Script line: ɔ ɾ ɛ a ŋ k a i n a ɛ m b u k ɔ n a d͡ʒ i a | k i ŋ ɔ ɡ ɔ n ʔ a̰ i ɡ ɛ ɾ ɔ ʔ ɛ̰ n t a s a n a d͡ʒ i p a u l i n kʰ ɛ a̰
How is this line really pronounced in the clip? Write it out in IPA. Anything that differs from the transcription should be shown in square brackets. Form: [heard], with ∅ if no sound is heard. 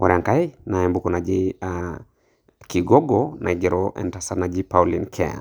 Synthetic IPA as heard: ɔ ɾ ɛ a ŋ k a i n a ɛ m b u k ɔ n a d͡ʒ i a | k i [ɡ] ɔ ɡ ɔ n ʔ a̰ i ɡ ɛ ɾ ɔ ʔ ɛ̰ n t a s a n a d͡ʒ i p a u l i n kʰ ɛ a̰